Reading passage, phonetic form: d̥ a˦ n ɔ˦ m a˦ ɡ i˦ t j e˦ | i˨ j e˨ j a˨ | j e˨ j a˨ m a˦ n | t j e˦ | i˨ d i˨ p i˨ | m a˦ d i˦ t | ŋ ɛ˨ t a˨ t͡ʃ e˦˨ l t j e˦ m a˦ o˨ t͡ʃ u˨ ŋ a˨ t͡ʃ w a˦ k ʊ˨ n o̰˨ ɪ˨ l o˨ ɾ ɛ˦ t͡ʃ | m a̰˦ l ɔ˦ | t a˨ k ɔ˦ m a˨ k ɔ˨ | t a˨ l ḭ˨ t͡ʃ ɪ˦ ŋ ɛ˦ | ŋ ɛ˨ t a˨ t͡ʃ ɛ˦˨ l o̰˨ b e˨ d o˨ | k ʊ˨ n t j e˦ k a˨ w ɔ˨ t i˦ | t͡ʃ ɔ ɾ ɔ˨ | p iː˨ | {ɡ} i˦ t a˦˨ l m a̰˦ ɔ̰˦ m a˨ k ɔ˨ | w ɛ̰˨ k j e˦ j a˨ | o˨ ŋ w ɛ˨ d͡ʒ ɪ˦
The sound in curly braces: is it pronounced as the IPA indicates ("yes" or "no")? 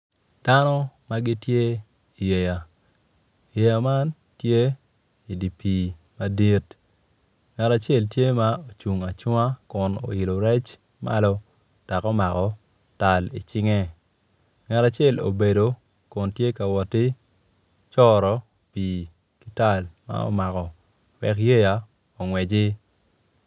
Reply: no